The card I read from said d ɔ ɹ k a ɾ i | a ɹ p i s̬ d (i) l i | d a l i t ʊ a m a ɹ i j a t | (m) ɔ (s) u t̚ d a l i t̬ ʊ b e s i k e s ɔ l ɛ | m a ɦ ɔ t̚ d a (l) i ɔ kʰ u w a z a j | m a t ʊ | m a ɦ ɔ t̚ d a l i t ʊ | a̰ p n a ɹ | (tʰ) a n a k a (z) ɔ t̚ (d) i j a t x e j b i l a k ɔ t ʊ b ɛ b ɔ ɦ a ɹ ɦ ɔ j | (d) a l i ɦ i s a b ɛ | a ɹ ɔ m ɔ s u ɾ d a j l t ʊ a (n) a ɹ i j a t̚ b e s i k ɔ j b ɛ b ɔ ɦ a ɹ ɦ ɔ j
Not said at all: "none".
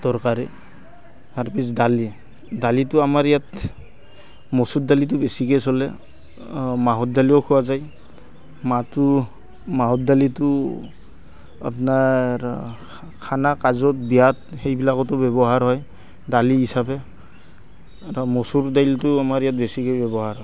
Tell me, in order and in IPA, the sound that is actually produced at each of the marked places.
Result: a, m, s, l, kʰ, z, b, d, m

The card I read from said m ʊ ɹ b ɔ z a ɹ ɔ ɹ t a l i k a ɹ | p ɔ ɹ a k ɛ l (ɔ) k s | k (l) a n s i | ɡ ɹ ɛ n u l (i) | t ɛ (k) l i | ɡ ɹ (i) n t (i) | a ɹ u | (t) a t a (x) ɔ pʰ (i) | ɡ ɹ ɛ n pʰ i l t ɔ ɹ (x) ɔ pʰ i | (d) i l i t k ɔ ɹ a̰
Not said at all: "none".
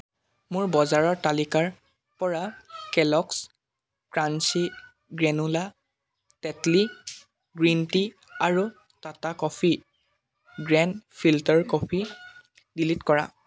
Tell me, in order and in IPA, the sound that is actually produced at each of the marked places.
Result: ɔ, ɹ, a, t, i, i, t, k, i, k, d

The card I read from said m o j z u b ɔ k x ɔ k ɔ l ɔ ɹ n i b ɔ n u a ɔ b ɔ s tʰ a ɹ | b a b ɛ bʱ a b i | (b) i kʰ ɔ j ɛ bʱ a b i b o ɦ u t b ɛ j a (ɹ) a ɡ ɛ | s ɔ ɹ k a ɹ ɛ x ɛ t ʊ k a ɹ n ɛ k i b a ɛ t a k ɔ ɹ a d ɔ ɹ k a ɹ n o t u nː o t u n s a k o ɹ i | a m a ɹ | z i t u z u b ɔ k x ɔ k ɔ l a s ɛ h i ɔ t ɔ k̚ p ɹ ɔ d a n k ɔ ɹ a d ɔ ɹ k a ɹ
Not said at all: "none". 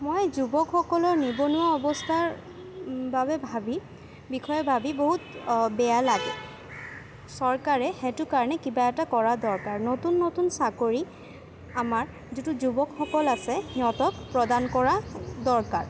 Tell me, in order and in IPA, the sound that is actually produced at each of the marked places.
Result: b, l

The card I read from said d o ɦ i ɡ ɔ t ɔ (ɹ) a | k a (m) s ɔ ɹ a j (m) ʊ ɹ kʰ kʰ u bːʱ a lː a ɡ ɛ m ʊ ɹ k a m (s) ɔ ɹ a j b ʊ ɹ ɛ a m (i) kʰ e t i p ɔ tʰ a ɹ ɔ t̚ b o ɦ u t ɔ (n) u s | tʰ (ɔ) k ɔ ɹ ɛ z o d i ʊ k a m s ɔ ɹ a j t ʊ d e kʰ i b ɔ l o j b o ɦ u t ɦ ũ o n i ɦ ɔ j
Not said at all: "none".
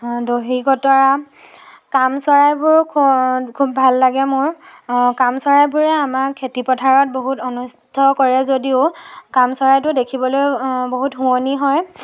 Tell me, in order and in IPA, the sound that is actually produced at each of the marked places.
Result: ɹ, m, b, s, a, n, ɔ

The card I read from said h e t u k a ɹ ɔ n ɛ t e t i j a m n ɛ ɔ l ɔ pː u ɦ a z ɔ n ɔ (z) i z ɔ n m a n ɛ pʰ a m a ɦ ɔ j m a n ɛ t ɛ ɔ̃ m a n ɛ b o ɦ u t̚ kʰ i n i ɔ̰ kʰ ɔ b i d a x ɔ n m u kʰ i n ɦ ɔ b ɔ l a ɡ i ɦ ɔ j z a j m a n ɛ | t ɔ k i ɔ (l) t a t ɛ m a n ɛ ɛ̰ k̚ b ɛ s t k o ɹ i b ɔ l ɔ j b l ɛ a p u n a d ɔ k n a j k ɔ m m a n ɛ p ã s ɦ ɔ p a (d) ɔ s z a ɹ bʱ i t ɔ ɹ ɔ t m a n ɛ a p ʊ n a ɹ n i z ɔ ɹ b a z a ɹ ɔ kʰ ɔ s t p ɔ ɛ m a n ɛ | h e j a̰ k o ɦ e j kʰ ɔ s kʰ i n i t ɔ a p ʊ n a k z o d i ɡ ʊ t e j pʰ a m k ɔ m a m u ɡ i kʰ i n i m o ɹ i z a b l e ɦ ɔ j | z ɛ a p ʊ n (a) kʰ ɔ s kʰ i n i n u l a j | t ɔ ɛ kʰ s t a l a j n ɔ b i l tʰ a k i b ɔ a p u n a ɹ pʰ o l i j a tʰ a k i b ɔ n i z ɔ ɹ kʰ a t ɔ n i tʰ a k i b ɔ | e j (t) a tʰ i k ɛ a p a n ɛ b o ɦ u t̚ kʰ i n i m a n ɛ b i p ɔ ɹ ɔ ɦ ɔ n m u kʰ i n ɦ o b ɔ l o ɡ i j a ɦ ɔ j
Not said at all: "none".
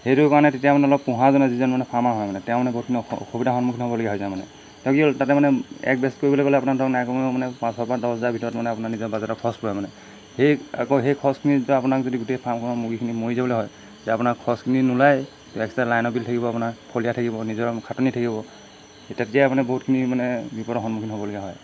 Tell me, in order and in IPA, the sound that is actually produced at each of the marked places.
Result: z, l, d, a, t

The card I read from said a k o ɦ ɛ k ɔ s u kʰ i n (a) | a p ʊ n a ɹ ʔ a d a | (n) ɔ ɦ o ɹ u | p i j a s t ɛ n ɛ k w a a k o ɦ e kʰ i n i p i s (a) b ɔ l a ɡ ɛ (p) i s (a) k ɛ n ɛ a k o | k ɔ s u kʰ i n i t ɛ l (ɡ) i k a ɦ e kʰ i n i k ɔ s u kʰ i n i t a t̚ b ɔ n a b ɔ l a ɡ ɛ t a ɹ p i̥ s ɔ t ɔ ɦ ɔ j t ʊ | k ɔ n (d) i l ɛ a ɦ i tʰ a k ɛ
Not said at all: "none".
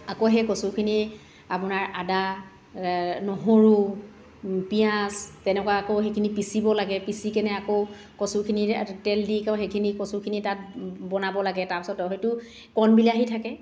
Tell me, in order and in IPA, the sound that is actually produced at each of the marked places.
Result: i, n, i, p, i, d, b

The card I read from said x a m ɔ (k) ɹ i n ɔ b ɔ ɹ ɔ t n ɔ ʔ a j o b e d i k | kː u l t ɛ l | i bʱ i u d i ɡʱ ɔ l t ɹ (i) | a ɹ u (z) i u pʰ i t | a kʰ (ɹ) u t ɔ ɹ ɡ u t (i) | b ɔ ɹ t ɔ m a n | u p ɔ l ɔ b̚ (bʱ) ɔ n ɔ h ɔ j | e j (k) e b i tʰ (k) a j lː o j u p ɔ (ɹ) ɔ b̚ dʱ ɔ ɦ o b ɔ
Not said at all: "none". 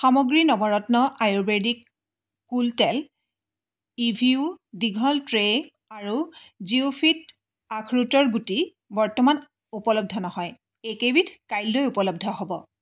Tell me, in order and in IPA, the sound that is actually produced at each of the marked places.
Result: ɡ, e, z, ɹ, i, dʱ, k, k, l

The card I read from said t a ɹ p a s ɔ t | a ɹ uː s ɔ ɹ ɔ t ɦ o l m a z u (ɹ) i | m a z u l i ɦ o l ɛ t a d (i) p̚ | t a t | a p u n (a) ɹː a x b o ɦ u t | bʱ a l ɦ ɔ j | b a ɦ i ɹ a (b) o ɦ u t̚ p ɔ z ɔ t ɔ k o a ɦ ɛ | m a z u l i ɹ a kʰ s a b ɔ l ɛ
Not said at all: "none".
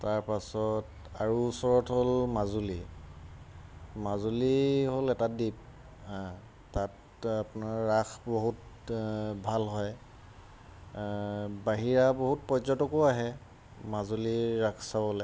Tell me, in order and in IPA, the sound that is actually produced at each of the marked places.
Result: l, i, a, b

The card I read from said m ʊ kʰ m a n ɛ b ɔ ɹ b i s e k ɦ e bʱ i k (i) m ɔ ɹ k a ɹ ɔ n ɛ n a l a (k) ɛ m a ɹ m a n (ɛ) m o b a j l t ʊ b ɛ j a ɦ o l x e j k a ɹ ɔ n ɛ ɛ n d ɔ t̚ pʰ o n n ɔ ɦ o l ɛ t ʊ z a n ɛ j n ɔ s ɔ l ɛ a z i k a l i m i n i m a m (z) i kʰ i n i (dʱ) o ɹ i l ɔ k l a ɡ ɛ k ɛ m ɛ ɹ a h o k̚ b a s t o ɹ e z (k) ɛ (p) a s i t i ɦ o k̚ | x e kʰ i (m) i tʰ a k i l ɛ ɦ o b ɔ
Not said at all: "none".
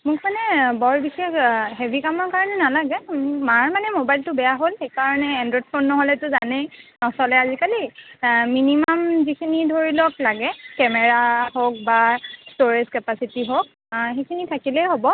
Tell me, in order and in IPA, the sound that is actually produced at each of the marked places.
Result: a, ɡ, ɛ, z, dʱ, k, p, n

